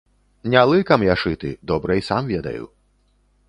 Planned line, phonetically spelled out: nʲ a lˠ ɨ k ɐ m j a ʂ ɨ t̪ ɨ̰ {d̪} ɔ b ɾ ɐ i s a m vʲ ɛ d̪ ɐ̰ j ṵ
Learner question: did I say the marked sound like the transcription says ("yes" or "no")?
yes